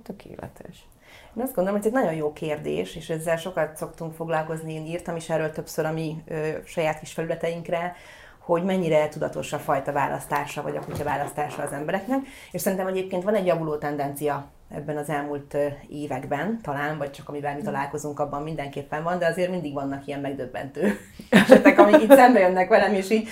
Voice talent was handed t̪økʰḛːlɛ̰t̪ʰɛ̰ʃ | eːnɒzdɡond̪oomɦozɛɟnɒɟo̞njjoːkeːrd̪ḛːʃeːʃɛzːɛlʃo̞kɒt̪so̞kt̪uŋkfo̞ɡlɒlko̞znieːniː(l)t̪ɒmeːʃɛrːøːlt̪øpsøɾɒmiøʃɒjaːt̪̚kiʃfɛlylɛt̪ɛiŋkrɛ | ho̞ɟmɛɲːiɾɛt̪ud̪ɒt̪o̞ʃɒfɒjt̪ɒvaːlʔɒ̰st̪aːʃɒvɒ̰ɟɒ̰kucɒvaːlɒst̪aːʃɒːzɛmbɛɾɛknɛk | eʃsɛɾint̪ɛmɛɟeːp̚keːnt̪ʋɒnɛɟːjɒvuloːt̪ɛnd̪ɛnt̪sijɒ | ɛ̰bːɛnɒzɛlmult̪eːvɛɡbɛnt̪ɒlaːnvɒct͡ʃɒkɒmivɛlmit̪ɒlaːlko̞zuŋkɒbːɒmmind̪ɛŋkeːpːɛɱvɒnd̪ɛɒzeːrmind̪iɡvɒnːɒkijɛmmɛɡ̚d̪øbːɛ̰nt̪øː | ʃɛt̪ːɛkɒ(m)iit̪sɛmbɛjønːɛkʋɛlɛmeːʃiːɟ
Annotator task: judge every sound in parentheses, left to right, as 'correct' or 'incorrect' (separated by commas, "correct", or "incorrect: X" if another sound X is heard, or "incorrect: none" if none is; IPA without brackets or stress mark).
incorrect: r, correct